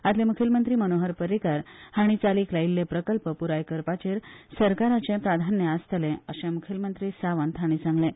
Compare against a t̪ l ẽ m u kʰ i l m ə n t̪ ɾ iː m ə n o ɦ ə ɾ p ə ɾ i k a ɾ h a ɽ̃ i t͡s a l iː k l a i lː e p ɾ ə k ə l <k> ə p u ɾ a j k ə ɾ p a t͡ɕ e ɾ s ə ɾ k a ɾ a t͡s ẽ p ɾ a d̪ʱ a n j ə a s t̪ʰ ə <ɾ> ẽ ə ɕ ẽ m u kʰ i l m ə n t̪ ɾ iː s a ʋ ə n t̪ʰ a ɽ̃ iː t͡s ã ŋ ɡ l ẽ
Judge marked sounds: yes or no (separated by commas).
no, no